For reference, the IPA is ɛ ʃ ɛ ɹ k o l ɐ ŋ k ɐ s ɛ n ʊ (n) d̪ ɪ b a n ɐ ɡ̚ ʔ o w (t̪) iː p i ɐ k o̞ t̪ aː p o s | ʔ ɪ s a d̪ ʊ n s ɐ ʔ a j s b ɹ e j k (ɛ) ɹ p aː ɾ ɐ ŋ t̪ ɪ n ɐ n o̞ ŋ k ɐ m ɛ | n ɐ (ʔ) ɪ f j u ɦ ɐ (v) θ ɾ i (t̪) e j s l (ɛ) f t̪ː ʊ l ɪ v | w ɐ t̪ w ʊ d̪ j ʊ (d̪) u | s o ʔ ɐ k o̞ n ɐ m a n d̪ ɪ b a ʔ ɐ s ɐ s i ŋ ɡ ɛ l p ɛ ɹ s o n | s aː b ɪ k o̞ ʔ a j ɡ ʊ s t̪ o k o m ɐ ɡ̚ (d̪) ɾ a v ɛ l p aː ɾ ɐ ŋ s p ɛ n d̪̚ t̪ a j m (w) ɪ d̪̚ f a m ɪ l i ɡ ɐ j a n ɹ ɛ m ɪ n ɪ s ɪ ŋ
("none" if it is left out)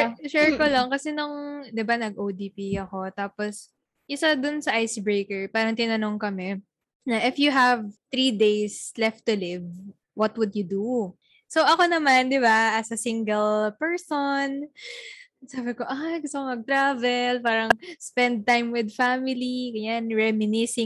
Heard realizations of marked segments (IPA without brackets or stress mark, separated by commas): ŋ, d̪, ɛ, ʔ, v, d̪, ɛ, d̪, t̪, w